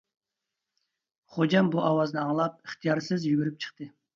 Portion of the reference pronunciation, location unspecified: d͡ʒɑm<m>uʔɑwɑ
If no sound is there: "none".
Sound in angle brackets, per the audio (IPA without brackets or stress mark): b